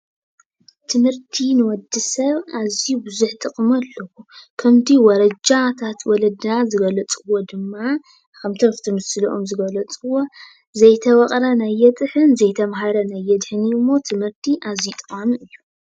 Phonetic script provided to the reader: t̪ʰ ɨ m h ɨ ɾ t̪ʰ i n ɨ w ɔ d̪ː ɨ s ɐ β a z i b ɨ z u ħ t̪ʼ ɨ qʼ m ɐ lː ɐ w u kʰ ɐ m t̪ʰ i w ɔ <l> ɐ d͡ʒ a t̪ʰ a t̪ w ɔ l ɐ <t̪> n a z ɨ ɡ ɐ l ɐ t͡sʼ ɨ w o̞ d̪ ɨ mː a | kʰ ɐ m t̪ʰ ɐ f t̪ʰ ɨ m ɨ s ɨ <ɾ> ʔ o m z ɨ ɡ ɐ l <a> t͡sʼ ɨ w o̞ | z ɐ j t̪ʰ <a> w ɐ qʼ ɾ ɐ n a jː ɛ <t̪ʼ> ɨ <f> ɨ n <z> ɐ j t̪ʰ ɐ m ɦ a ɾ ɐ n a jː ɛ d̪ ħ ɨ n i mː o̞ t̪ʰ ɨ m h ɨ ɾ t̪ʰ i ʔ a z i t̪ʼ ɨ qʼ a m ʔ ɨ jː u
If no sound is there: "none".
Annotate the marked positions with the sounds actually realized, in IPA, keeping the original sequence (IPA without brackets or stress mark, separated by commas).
ɾ, d̪, l, ɐ, ɐ, t̪ʼ, ħ, z